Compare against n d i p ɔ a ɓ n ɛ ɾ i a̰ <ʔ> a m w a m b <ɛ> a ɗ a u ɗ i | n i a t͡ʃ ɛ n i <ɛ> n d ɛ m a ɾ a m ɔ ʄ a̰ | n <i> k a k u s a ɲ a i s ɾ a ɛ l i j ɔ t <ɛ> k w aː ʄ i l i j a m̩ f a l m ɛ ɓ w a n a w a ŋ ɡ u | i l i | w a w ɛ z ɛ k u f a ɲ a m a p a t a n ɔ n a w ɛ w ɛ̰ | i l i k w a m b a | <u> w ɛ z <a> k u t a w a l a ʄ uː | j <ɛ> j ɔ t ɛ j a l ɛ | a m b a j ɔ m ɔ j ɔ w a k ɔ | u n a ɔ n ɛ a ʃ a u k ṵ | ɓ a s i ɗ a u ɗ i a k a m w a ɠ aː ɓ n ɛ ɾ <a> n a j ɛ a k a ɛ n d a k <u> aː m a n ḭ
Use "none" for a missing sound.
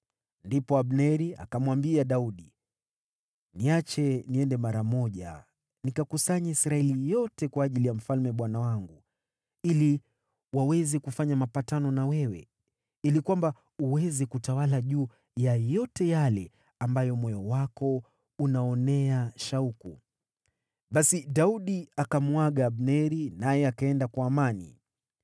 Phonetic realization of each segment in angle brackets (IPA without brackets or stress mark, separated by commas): k, i, ɛ, i, ɛ, u, ɛ, a, i, w